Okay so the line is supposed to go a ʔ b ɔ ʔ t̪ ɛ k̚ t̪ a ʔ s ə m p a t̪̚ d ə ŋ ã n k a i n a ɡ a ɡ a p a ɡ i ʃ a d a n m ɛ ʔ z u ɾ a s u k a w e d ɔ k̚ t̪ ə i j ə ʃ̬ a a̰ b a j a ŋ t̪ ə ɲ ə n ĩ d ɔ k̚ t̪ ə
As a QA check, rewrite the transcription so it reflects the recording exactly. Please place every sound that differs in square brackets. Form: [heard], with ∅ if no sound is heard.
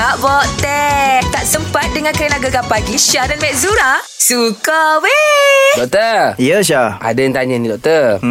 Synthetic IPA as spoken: a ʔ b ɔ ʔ t̪ ɛ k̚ t̪ a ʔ s ə m p a t̪̚ d ə ŋ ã n k a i n a ɡ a ɡ a p a ɡ i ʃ a d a n m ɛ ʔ z u ɾ a s u k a w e d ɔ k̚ t̪ ə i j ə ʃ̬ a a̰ [d] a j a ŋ t̪ [a] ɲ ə n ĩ d ɔ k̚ t̪ ə